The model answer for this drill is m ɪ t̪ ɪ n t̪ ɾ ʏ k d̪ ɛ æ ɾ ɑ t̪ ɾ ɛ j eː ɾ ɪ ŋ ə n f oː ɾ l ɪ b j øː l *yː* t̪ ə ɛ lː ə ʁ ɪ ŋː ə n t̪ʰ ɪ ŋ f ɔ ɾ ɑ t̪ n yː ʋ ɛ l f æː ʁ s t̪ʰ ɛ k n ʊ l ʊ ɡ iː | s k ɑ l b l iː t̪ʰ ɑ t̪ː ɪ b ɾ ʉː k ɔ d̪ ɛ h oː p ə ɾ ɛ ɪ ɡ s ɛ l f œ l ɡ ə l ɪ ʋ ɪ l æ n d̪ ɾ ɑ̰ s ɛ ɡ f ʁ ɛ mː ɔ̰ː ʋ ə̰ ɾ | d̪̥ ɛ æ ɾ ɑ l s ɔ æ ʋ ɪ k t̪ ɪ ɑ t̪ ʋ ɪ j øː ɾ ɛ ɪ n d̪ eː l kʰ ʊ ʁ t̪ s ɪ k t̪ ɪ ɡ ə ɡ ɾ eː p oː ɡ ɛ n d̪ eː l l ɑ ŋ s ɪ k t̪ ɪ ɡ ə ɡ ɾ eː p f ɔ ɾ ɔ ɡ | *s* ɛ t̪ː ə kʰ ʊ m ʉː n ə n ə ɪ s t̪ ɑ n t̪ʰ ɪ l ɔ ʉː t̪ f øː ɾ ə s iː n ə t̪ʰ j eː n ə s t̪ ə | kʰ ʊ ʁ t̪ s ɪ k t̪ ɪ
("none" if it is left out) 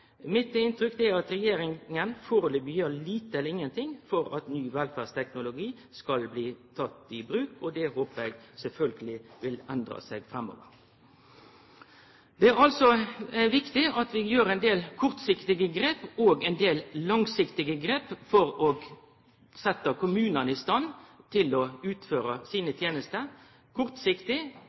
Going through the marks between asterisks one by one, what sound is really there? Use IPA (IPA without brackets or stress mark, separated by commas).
iː, s